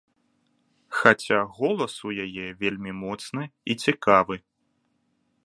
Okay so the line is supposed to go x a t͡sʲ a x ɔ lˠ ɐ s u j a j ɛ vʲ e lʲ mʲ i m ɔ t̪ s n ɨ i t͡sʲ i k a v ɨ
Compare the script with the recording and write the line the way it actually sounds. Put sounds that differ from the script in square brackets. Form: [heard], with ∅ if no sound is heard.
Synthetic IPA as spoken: x a t͡sʲ a [ɣ] ɔ lˠ ɐ s u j a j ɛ vʲ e lʲ mʲ i m ɔ t̪ s n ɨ i t͡sʲ i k a v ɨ